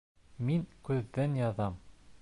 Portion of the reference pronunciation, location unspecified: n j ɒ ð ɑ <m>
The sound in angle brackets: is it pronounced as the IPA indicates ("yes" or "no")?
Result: yes